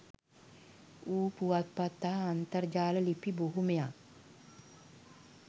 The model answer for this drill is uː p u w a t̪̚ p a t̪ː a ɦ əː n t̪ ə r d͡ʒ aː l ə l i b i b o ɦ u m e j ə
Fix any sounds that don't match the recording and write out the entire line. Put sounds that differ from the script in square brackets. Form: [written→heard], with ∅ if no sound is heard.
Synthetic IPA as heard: uː p u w a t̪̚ p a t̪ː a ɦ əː n t̪ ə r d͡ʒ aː l ə l i [b→p] i b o ɦ u m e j [ə→a]